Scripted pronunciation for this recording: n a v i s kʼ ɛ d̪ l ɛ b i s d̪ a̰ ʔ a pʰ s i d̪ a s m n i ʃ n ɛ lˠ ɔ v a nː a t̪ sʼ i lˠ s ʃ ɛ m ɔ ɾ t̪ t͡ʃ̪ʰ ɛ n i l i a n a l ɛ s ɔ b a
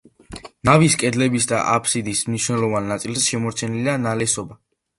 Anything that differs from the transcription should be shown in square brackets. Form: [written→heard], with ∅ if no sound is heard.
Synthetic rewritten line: n a v i s kʼ ɛ d̪ l ɛ b i s d̪ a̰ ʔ a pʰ s i d̪ [a→i] s m n i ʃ n ɛ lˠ ɔ v a nː a t̪ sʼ i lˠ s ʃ ɛ m ɔ ɾ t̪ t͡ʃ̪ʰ ɛ n i l i a n a l ɛ s ɔ b a